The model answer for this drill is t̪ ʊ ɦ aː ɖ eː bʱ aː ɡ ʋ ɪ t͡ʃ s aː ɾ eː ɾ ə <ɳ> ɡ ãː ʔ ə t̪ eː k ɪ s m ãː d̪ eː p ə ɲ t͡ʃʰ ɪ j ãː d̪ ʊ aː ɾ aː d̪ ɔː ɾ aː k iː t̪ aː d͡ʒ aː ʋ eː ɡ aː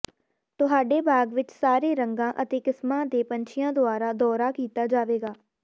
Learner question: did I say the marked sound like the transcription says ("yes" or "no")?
no